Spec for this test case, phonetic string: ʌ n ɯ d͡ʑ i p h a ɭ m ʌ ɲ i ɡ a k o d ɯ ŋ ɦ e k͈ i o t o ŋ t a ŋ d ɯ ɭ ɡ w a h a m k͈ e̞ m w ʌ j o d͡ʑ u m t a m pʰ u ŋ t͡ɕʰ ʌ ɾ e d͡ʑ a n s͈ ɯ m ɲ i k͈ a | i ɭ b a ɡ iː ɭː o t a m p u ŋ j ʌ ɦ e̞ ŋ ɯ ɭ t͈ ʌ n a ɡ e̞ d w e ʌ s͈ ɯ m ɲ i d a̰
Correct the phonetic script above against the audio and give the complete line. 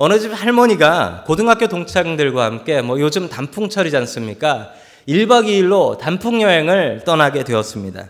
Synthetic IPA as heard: ʌ n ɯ d͡ʑ i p h a ɭ m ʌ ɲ i ɡ a k o d ɯ ŋ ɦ a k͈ j o t o ŋ t͡ɕʰ a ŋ d ɯ ɭ ɡ w a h a m k͈ e̞ m w ʌ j o d͡ʑ ɯ m t a m pʰ u ŋ t͡ɕʰ ʌ ɾ i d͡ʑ a n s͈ ɯ m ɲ i k͈ a | i ɭ b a ɡ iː ɭː o t a m pʰ u ŋ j ʌ ɦ e̞ ŋ ɯ ɭ t͈ ʌ n a ɡ e̞ d w e ʌ s͈ ɯ m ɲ i d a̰